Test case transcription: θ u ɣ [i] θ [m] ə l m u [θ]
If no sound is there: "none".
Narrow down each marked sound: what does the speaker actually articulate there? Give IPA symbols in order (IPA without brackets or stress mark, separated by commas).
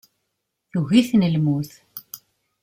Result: i, n, θ